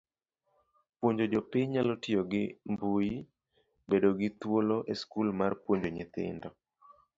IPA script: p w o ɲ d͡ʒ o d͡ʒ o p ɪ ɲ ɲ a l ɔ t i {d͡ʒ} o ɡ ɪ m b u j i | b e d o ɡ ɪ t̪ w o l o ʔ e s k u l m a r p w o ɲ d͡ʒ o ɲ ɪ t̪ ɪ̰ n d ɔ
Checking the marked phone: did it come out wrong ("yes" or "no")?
yes